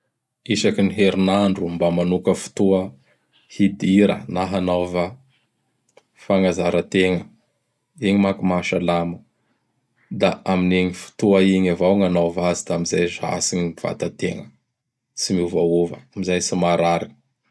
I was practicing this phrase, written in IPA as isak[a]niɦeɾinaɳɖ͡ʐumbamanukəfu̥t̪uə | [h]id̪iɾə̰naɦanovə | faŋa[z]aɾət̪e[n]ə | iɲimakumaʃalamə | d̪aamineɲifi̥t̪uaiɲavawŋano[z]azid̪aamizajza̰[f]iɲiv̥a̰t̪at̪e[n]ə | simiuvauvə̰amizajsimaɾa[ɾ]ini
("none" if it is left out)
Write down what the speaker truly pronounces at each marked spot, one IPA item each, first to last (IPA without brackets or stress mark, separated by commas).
i, h, z, ŋ, v, s, ŋ, ɾ